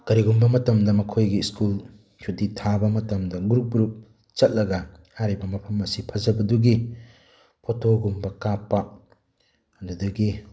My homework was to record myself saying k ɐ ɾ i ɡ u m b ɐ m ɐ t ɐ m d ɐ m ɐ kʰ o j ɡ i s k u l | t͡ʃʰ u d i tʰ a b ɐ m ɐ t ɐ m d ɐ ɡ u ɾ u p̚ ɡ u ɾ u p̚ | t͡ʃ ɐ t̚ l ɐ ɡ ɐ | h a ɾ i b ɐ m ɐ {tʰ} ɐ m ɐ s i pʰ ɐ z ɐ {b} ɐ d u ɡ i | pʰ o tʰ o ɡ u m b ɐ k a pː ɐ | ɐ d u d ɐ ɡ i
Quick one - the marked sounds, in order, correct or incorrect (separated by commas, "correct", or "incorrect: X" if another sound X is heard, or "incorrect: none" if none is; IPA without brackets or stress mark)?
incorrect: pʰ, correct